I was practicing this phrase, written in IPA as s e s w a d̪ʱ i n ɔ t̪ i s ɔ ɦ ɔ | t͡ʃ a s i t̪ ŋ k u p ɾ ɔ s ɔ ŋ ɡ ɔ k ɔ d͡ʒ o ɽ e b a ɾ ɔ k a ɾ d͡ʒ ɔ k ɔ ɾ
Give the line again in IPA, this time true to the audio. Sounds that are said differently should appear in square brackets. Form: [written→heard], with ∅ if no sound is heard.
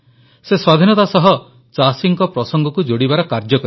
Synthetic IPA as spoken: s e s w a d̪ʱ i n ɔ t̪ [i→a] s ɔ ɦ ɔ | t͡ʃ a s i [t̪→∅] ŋ k [u→ɔ] p ɾ ɔ s ɔ ŋ ɡ ɔ k [ɔ→u] d͡ʒ o ɽ [e→i] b a ɾ ɔ k a ɾ d͡ʒ ɔ k ɔ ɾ